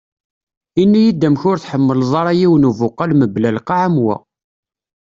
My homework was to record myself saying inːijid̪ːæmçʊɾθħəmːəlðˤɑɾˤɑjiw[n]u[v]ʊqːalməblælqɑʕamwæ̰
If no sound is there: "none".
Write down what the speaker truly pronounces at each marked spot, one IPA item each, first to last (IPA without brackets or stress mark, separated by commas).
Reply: n, v